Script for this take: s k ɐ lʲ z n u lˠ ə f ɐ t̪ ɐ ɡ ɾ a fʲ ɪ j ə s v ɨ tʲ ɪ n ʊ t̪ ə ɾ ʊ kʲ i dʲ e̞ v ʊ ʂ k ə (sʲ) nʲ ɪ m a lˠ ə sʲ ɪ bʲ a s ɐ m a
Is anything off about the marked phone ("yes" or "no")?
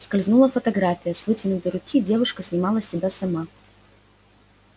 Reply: no